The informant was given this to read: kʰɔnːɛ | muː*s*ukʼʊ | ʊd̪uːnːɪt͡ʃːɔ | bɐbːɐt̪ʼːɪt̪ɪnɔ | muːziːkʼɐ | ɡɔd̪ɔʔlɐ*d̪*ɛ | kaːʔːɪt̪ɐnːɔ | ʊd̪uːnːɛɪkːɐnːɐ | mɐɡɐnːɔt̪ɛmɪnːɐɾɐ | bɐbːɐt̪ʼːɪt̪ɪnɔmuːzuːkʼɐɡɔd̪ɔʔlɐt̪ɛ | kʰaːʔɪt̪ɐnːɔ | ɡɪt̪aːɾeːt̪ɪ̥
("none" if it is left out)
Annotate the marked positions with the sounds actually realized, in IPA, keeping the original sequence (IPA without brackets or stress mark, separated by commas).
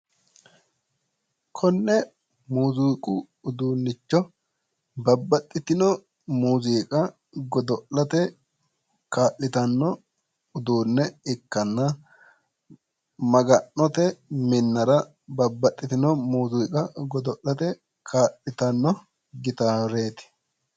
z, t̪